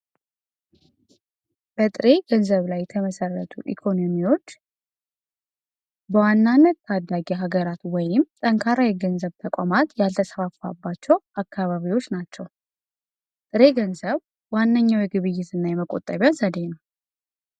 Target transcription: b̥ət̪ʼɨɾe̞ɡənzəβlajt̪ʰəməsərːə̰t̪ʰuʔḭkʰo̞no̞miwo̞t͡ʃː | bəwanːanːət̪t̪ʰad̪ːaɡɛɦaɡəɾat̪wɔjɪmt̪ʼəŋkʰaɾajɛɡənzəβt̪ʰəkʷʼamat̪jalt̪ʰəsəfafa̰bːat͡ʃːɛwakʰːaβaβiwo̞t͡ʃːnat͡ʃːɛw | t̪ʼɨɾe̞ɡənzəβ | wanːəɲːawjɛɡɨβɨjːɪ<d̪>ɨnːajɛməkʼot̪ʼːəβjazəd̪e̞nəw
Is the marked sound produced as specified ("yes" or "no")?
no